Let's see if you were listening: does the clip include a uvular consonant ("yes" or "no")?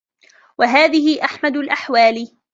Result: no